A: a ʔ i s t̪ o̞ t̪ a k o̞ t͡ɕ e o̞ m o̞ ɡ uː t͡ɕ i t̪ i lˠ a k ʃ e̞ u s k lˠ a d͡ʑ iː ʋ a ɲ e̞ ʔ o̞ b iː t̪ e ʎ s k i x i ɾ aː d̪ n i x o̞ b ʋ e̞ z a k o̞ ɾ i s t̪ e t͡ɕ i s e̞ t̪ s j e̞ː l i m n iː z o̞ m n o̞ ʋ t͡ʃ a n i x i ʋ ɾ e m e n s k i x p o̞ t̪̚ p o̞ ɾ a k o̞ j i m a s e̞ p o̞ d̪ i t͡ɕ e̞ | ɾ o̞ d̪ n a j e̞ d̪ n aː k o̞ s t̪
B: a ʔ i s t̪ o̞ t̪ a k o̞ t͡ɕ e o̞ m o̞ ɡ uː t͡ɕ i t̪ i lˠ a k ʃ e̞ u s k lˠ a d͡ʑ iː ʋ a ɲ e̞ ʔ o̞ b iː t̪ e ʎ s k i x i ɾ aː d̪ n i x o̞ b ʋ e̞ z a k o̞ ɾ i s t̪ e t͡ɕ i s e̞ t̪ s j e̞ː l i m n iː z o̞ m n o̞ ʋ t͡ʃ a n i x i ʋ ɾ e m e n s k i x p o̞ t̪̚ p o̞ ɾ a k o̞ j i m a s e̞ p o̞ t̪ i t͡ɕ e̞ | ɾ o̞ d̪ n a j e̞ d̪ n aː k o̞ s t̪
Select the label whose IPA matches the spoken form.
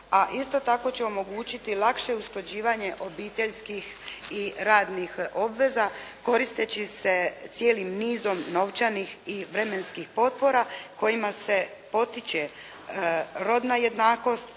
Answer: B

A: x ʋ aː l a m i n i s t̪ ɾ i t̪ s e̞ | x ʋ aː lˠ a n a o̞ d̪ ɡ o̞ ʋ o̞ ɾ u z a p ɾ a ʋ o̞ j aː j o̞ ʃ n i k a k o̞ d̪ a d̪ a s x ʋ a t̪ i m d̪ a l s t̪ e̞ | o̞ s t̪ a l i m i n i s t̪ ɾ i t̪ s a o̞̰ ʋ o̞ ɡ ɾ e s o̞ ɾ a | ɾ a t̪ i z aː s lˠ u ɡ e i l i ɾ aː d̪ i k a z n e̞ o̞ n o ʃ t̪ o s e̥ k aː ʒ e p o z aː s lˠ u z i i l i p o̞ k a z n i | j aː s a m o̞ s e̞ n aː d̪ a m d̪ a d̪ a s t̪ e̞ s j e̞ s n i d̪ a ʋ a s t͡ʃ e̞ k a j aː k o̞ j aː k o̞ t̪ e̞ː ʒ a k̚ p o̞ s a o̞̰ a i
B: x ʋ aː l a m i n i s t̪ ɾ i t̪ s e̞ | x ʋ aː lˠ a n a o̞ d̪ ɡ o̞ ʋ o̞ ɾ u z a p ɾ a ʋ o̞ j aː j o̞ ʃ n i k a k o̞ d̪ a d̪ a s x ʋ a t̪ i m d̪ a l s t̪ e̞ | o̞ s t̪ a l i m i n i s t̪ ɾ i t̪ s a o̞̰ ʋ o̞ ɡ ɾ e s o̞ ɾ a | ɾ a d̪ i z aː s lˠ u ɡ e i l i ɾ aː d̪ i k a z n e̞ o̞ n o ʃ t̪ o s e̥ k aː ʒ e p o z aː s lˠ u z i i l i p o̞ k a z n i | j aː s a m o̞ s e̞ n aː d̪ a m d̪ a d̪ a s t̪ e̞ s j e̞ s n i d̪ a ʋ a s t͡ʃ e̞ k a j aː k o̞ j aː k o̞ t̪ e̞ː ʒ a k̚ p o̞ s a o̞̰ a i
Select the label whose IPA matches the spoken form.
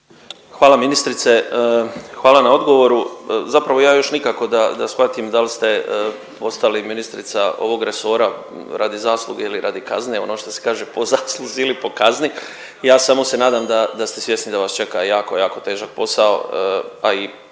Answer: B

